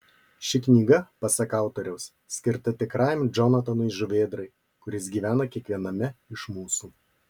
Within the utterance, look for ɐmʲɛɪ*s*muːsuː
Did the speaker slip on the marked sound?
yes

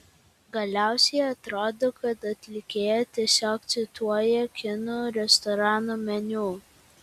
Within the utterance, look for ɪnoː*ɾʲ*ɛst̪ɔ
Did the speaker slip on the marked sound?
no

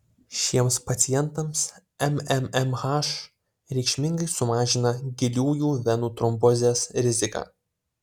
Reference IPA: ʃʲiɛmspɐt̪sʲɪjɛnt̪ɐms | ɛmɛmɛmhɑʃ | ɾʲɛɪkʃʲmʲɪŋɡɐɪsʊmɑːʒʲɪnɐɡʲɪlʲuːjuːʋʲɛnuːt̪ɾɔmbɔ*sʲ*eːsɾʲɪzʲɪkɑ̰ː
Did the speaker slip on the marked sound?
yes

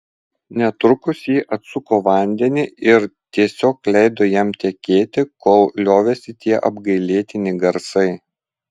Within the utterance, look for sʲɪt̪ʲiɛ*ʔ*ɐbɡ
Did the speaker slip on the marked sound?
no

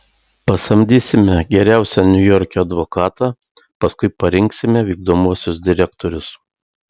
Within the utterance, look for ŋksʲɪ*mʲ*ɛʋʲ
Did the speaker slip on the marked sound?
no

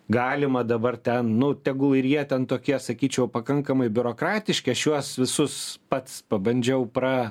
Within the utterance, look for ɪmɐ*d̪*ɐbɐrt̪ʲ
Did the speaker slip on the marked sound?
no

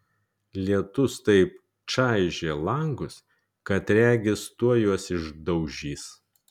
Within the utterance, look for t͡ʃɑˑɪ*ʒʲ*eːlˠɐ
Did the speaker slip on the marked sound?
no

